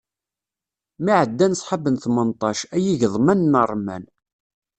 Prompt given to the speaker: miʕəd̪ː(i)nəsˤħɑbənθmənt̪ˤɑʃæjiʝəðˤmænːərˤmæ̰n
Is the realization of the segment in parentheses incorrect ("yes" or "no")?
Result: yes